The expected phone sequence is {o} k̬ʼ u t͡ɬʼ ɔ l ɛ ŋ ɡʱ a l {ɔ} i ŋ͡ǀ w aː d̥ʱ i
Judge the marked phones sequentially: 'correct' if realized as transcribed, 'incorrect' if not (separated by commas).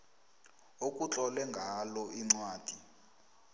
correct, correct